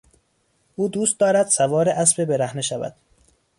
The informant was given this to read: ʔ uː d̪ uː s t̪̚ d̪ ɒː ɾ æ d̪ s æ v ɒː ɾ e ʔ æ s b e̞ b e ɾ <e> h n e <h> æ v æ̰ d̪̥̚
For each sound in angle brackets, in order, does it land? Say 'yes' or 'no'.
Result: no, no

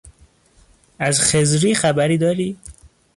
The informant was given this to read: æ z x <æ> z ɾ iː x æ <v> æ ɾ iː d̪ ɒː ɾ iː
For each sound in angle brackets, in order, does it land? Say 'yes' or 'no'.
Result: no, no

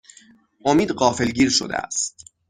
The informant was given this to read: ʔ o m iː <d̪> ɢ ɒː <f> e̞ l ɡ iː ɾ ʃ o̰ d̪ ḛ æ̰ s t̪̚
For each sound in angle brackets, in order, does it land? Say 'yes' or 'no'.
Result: yes, yes

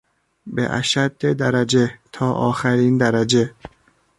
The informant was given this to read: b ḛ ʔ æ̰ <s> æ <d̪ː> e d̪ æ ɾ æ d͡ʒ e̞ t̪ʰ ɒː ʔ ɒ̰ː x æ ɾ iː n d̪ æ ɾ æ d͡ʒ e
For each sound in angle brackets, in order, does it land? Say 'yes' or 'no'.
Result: no, yes

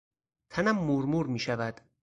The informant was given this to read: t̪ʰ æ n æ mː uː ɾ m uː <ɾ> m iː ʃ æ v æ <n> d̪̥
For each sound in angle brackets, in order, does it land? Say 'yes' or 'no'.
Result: yes, no

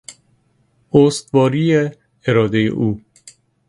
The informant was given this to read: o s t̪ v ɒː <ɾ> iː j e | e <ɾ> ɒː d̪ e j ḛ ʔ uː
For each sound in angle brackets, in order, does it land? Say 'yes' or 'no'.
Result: yes, yes

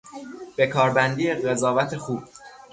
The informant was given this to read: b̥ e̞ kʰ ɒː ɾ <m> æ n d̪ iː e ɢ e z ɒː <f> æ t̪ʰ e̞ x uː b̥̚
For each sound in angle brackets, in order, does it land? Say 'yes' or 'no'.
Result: no, no

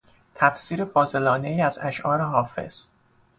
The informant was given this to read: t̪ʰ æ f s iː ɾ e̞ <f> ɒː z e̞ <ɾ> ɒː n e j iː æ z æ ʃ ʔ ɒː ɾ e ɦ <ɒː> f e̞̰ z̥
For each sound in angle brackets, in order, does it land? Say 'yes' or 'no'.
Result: yes, no, yes

